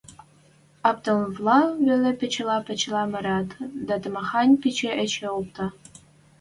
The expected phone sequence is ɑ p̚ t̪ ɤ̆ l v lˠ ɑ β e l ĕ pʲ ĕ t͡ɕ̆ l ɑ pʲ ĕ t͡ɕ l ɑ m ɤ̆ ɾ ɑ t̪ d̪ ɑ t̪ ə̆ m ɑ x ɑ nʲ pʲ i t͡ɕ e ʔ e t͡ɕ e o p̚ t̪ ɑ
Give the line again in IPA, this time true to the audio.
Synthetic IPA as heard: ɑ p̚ t̪ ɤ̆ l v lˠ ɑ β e l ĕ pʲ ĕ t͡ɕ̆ l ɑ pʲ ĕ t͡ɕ l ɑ m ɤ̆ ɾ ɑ t̪ d̪ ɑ t̪ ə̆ m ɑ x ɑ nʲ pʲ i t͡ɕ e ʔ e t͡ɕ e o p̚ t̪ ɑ